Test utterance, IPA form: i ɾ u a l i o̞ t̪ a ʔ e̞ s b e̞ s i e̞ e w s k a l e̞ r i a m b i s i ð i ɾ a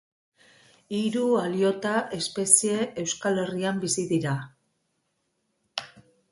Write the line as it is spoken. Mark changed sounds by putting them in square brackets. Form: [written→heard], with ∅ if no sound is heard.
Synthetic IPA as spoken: i ɾ u a l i o̞ t̪ a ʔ e̞ s [b→p] e̞ s i e̞ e w s k a l e̞ r i a m b i s i ð i ɾ a